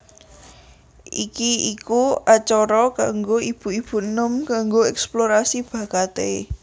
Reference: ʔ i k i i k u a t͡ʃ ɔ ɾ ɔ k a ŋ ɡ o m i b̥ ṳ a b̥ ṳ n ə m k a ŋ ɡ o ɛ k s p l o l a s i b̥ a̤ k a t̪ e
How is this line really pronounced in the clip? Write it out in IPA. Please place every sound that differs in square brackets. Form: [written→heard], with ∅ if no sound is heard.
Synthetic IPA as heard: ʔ i k i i k u a t͡ʃ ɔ ɾ ɔ k a ŋ ɡ o [m→∅] i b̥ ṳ [a→i] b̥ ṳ n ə m k a ŋ ɡ o ɛ k s p l o [l→ɾ] a s i b̥ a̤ k a t̪ e